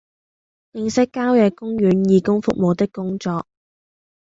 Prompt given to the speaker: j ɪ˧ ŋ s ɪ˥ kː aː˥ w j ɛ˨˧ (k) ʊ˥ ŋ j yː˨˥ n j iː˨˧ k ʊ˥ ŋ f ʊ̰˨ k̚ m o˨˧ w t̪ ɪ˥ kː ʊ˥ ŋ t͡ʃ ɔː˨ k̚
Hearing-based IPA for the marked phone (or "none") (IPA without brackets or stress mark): k